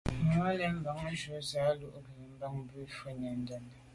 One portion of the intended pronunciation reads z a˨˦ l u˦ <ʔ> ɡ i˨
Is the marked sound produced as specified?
yes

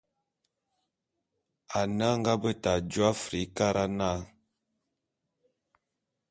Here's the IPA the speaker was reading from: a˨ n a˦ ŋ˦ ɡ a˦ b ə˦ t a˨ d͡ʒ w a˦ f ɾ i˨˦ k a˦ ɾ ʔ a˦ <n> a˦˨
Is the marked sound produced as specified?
yes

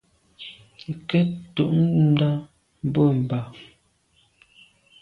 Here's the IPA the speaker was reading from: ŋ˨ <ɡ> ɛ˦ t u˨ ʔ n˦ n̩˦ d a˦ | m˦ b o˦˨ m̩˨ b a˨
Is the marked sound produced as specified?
no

